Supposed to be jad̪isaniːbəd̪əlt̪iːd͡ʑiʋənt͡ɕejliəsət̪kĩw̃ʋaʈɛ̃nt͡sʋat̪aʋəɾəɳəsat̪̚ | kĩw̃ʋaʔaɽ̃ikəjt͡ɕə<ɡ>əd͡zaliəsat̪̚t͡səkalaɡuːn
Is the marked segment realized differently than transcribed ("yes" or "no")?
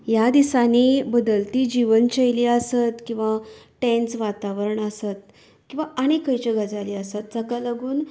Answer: no